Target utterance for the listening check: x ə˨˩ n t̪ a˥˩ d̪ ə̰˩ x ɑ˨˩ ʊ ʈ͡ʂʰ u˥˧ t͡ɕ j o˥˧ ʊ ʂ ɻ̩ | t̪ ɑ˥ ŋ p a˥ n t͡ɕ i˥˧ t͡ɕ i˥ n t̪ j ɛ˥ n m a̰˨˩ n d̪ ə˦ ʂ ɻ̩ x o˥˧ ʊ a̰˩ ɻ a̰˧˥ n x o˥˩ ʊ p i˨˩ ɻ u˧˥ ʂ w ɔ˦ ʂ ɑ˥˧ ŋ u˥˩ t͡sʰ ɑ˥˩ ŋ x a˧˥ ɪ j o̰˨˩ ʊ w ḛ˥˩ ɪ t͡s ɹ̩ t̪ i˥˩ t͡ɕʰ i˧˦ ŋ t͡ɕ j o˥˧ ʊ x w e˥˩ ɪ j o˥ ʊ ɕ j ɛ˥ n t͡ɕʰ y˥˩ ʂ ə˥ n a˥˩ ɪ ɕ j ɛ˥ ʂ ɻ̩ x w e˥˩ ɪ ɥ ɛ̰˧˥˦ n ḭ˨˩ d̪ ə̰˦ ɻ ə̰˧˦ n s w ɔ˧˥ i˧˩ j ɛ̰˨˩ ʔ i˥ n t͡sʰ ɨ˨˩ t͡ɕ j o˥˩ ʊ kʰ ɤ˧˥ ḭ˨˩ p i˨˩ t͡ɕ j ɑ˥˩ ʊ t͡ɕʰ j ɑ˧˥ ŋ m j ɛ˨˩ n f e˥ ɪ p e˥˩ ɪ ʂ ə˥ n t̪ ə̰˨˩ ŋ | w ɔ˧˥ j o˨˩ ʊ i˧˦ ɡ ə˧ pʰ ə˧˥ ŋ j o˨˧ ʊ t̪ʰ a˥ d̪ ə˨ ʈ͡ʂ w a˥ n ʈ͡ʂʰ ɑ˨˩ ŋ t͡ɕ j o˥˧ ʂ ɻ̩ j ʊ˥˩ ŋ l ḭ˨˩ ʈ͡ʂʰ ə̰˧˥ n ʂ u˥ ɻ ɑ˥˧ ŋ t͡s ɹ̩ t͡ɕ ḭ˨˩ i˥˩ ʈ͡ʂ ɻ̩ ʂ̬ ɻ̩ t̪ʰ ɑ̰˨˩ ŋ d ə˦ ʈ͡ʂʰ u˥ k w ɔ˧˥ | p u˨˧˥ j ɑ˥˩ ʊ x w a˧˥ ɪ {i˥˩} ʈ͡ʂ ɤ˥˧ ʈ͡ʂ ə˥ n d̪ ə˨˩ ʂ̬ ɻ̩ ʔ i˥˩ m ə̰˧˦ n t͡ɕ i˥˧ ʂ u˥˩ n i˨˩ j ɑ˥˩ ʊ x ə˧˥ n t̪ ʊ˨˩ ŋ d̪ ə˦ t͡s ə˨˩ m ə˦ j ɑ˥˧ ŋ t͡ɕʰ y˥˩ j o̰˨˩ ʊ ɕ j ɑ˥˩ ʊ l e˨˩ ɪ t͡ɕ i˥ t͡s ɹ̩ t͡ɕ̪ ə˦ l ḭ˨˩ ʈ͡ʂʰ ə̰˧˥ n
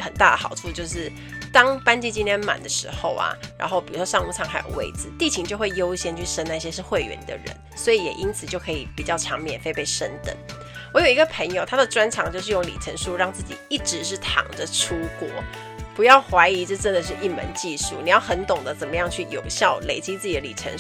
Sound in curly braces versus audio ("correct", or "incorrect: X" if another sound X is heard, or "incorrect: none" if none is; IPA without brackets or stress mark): incorrect: i˧˥